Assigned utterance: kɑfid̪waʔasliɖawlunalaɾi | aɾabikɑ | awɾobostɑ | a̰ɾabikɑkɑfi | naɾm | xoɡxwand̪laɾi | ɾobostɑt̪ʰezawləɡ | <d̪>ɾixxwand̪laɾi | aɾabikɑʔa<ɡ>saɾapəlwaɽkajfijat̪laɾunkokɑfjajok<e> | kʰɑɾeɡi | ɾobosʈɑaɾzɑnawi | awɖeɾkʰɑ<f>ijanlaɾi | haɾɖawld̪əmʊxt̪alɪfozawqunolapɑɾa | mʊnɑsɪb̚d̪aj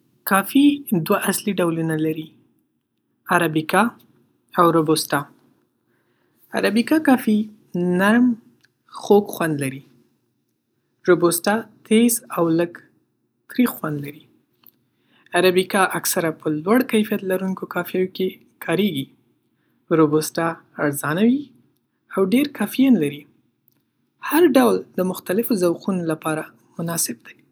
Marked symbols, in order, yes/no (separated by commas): no, no, yes, yes